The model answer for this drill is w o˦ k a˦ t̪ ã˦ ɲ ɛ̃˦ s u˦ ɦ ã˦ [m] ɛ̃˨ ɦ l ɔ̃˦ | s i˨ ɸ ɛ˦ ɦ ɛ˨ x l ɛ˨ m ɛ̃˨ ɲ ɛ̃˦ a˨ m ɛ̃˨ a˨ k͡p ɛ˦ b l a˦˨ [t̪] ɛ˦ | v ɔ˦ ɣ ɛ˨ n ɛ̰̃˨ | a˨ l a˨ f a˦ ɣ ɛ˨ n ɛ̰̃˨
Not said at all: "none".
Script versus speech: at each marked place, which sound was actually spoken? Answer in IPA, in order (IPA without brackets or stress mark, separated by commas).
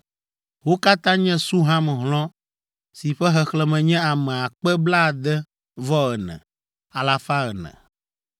m, d̪